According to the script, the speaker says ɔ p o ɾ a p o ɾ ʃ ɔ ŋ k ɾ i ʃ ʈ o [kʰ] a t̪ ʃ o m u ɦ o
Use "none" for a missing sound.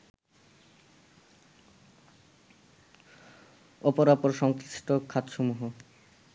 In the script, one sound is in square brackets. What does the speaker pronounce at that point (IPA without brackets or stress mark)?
kʰ